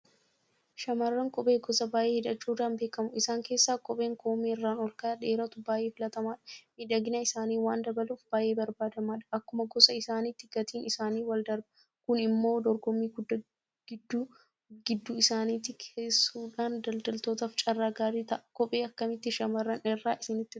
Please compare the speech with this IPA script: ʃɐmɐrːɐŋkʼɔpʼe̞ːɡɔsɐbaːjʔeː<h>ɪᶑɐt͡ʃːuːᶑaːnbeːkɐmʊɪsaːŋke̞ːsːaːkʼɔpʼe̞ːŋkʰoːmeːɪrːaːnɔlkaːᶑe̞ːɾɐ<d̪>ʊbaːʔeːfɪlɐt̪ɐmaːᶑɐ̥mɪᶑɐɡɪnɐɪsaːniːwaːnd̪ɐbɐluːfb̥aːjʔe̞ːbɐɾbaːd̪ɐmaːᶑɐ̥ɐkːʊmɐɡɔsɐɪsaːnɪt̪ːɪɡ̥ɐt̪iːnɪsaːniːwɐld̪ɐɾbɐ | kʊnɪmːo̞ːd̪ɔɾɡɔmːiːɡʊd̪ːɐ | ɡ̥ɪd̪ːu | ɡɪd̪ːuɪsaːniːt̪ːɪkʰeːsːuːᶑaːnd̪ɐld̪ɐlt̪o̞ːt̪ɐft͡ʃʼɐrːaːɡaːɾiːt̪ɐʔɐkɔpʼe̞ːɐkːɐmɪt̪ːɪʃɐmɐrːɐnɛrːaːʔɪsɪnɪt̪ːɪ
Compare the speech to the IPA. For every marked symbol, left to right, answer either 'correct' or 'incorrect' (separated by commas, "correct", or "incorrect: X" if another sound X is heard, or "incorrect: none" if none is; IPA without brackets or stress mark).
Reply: correct, incorrect: t̪